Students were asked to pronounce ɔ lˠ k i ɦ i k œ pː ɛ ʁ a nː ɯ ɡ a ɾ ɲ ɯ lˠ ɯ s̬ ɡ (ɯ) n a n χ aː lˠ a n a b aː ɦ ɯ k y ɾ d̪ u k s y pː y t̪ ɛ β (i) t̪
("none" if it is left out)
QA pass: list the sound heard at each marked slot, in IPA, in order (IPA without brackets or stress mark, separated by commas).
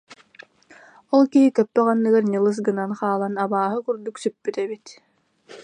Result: ɯ, i